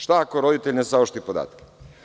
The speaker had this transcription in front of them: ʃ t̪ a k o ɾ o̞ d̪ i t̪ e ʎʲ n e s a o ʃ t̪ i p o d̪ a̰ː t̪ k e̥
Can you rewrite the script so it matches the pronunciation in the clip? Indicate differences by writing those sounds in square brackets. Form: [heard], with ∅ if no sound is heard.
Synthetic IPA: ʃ t̪ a k o ɾ o̞ d̪ i t̪ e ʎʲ n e s a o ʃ t̪ i p o d̪ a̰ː t̪ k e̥